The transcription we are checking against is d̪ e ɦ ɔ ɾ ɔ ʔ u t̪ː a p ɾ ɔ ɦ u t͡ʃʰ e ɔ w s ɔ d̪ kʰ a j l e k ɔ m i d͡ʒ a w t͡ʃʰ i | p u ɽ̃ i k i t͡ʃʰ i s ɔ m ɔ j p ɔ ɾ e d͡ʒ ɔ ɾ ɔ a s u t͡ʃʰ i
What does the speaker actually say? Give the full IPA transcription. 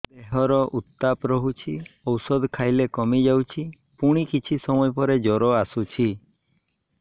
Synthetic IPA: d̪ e ɦ ɔ ɾ ɔ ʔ u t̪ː a p ɾ ɔ ɦ u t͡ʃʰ i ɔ w s ɔ d̪ kʰ a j l e k ɔ m i d͡ʒ a w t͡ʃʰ i | p u ɽ̃ i k i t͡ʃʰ i s ɔ m ɔ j p ɔ ɾ e d͡ʒ ɔ ɾ ɔ a s u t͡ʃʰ i